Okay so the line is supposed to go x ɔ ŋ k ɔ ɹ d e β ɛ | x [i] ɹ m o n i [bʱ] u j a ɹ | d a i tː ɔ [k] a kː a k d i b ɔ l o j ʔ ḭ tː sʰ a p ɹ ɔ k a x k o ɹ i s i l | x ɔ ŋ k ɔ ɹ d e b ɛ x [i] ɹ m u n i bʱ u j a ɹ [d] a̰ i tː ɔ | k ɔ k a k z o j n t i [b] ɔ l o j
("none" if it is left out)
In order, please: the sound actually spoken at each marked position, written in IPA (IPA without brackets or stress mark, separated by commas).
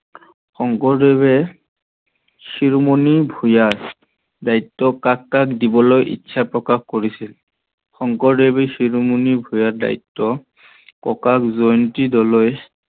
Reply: i, bʱ, k, i, d, d